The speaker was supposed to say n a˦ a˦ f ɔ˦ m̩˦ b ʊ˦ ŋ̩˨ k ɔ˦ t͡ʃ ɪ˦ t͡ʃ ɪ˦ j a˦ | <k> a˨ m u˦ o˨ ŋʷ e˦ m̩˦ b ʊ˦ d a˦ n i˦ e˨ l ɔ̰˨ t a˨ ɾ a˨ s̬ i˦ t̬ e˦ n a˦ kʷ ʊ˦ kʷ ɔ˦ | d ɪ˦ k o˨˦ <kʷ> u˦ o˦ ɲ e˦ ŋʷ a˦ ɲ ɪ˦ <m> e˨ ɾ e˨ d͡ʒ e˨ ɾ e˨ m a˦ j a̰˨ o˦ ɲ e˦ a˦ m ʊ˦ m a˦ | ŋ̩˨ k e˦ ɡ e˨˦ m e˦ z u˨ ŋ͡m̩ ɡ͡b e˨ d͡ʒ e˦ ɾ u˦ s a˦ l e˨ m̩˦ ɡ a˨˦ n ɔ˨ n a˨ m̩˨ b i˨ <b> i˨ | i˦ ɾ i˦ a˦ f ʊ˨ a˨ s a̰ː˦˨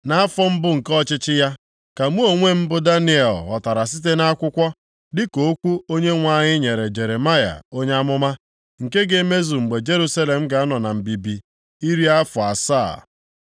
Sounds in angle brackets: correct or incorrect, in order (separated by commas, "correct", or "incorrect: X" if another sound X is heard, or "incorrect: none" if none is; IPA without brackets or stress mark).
correct, correct, incorrect: ɲ, correct